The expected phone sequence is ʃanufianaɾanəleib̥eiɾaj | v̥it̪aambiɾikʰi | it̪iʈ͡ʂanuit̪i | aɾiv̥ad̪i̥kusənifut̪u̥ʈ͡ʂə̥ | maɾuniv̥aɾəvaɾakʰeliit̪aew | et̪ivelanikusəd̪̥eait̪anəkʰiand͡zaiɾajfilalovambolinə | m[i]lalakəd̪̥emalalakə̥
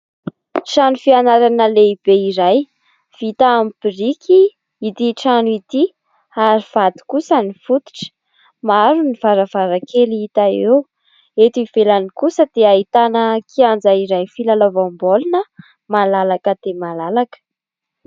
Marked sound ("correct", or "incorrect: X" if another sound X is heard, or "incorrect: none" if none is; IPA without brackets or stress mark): incorrect: a